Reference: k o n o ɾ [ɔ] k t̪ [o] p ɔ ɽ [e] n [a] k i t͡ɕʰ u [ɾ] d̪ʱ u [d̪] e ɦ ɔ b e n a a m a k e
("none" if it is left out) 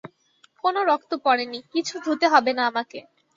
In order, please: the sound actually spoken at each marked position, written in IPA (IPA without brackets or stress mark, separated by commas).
ɔ, o, e, i, none, t̪